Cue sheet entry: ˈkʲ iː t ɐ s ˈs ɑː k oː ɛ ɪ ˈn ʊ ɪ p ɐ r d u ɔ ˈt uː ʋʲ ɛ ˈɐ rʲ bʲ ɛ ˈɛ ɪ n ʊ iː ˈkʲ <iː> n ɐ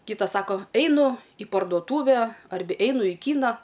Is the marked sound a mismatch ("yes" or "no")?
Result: no